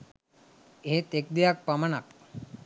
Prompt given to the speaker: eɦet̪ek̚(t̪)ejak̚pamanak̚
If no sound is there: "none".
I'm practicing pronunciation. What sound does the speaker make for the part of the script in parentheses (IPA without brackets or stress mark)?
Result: d̪